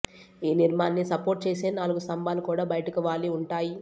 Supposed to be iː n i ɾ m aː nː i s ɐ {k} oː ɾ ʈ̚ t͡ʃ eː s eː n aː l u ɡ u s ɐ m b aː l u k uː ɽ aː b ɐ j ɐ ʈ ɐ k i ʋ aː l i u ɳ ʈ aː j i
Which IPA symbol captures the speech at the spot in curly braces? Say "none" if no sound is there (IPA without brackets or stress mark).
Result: p